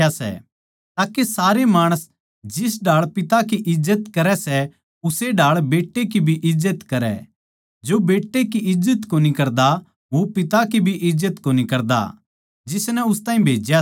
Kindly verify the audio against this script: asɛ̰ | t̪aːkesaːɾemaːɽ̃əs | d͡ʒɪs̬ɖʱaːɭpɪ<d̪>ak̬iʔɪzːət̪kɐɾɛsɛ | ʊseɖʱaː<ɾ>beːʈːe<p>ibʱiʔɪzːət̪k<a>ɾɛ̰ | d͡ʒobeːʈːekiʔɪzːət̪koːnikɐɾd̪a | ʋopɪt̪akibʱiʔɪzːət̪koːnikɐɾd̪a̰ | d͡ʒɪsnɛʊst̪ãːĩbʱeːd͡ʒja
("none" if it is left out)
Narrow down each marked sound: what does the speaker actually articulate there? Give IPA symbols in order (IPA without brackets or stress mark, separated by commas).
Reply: t̪, ɭ, k, ɐ